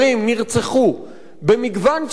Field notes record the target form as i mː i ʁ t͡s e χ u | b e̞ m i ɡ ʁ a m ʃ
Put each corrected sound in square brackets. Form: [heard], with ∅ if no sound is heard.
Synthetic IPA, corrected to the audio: i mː i ʁ t͡s e χ u | b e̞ m i ɡ [v] a [n] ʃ